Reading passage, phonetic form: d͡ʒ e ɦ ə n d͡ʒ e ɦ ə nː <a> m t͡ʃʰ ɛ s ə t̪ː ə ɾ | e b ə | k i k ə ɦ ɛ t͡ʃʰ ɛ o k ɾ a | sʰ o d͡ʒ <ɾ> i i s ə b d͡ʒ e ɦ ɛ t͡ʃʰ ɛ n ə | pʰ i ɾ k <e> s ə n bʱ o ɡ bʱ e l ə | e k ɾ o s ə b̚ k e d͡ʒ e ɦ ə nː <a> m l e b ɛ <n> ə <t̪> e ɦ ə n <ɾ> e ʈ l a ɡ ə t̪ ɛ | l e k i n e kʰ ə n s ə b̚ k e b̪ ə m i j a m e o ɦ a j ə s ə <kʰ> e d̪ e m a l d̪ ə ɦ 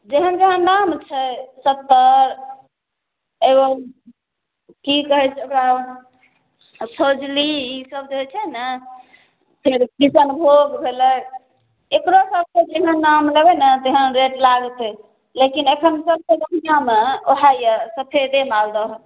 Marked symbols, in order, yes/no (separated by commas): yes, no, no, yes, yes, yes, yes, no